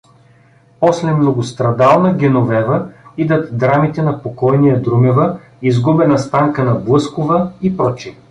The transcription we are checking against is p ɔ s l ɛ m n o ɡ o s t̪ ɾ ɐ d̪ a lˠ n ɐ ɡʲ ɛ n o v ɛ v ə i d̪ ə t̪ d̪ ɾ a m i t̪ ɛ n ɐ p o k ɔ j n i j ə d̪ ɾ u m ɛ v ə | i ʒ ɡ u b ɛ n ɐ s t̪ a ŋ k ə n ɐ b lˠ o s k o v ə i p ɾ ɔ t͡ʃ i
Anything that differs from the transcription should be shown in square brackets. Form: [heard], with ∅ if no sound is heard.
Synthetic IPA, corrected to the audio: p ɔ s l ɛ m n o ɡ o s t̪ ɾ ɐ d̪ a lˠ n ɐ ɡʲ ɛ n o v ɛ v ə i d̪ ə t̪ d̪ ɾ a m i t̪ ɛ n ɐ p o k ɔ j n i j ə d̪ ɾ u m ɛ v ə | i [z] ɡ u b ɛ n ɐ s t̪ a ŋ k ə n ɐ b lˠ [ɤ] s k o v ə i p ɾ ɔ t͡ʃ i